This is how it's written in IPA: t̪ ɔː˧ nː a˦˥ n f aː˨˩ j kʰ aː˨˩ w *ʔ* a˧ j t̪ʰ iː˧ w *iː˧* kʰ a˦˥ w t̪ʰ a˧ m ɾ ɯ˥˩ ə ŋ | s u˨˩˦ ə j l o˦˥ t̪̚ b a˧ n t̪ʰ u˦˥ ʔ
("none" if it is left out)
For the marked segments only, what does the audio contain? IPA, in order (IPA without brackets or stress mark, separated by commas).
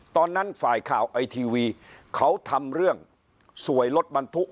ʔ, iː˧